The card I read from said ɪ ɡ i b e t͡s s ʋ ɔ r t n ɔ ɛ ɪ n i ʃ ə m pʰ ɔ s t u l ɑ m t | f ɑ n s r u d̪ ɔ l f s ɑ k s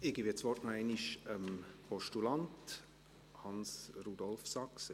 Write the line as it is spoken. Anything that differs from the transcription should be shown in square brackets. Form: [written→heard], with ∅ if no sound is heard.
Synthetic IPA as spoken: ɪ ɡ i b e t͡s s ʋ ɔ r t n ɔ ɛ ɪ n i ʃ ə m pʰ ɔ [s→ʃ] t u l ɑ [m→n] t | [f→h] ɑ n s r u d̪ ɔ l f s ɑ k s